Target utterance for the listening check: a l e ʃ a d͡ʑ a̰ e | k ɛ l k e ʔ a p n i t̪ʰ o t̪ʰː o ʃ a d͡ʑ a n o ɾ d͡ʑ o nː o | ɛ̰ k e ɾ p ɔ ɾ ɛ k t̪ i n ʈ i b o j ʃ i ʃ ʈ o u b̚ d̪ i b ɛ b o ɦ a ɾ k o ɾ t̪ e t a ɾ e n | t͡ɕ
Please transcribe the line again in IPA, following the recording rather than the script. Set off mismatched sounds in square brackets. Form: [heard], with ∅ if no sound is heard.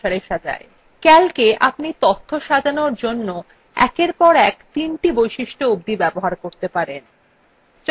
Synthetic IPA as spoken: a [ɾ] e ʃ a d͡ʑ a̰ e | k ɛ l k e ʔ a p n i [t̪] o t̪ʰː o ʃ a d͡ʑ a n o ɾ d͡ʑ o nː o | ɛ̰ k e ɾ p ɔ ɾ ɛ k t̪ i n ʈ i b o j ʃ i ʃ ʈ o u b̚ d̪ i b ɛ b o ɦ a ɾ k o ɾ t̪ e [p] a ɾ e n | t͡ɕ